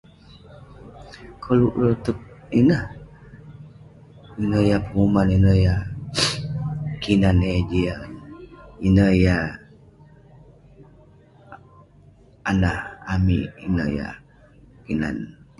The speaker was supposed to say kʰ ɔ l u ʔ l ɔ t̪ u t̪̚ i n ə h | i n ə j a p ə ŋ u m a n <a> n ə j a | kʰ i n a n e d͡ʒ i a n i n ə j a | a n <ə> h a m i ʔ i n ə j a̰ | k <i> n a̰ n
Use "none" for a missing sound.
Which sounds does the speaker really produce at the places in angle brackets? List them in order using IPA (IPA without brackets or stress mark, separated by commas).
i, a, i